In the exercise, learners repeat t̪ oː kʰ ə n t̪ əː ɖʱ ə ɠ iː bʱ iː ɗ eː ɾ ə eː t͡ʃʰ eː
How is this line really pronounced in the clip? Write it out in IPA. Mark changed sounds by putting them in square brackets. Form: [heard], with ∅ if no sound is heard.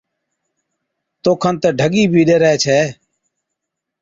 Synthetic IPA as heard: t̪ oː kʰ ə n t̪ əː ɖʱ ə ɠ iː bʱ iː ɗ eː ɾ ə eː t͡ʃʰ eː